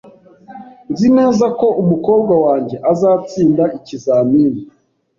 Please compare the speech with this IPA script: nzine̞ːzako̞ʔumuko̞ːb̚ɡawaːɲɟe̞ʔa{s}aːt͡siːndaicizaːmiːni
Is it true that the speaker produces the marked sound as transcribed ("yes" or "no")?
no